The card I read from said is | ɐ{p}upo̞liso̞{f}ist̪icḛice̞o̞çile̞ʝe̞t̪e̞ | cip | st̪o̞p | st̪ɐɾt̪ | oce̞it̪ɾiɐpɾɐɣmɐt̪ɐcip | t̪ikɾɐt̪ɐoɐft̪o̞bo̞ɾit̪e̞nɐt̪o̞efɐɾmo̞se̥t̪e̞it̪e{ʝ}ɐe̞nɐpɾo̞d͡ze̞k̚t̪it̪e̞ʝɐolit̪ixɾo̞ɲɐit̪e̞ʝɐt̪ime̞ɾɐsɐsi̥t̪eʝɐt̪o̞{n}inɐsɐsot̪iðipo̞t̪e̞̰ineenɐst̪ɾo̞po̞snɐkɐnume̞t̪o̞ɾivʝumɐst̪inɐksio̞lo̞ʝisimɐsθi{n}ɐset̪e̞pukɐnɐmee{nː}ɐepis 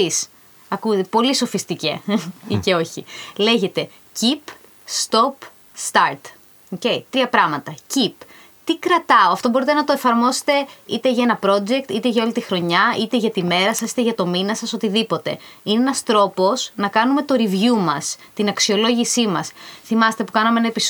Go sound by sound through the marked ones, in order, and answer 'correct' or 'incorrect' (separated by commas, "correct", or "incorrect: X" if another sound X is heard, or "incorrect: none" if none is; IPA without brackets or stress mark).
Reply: incorrect: k, correct, correct, incorrect: m, incorrect: m, incorrect: n